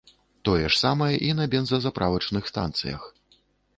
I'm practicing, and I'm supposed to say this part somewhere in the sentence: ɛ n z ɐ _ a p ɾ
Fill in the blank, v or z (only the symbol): z